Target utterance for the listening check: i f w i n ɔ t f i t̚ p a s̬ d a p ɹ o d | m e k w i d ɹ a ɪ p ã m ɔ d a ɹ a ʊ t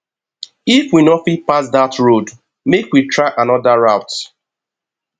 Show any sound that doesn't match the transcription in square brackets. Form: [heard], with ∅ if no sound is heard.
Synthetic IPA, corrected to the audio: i f w i n ɔ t f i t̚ p a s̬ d a [t] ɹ o d | m e k w i [t] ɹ a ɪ [ʔ] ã [n] ɔ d a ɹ a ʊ t